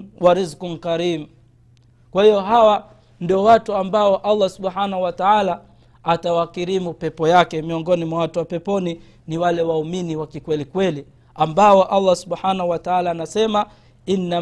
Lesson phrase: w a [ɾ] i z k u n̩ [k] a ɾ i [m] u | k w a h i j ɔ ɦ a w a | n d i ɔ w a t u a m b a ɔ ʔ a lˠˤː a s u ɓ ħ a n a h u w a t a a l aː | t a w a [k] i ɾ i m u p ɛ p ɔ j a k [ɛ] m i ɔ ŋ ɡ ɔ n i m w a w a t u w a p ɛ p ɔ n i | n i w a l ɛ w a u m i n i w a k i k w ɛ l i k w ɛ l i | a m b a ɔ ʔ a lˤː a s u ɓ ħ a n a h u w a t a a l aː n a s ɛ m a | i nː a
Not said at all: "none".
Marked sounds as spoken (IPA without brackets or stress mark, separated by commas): ɾ, k, m, k, ɛ